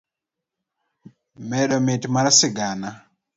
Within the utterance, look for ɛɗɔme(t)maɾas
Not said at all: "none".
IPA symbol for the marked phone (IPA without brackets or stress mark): t